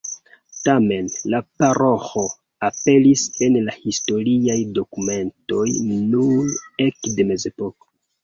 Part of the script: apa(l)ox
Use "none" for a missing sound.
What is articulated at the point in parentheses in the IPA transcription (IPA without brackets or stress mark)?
ɾ